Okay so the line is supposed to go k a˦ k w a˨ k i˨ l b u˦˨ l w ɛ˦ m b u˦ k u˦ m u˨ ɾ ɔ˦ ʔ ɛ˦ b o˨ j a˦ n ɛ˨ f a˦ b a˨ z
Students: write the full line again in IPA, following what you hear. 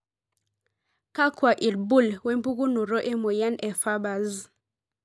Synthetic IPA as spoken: k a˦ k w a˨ ʔ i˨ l b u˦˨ l w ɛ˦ m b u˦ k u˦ n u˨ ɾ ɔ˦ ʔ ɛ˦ m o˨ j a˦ n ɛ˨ f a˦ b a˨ z